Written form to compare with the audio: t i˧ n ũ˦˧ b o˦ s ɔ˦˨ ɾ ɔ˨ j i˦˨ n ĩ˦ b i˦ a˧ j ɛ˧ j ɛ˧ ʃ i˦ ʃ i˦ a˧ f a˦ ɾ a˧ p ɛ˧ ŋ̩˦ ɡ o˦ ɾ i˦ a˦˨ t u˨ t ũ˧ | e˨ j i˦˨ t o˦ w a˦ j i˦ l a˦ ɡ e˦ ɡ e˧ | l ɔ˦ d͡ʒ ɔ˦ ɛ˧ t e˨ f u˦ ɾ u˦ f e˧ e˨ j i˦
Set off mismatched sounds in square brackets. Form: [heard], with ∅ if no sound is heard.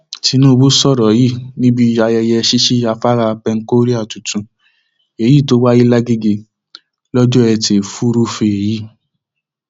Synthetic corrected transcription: t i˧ n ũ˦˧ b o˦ s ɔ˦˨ ɾ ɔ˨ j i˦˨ n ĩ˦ b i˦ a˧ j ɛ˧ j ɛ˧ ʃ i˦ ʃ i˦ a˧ f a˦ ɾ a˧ p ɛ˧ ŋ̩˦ [k] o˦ ɾ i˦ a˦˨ t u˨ t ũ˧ | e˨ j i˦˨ t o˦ w a˦ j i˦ l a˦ ɡ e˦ ɡ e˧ | l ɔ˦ d͡ʒ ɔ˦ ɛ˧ t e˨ f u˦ ɾ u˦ f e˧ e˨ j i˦